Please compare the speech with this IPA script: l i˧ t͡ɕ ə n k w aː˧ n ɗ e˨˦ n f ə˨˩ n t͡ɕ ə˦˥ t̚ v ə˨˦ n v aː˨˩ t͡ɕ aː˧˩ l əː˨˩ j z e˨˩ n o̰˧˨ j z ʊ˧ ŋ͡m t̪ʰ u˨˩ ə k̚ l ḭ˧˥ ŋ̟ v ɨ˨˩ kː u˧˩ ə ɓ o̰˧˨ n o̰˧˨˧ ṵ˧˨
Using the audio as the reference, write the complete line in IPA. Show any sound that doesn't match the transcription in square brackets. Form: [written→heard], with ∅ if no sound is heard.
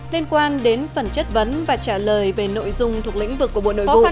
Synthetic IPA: l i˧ [t͡ɕ→∅] ə n k w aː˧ n ɗ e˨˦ n f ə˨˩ n t͡ɕ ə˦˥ t̚ v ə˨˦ n v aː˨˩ t͡ɕ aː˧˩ l əː˨˩ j [z→v] e˨˩ n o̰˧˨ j z ʊ˧ ŋ͡m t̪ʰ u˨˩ ə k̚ l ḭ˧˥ ŋ̟ v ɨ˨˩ kː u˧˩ ə ɓ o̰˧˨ n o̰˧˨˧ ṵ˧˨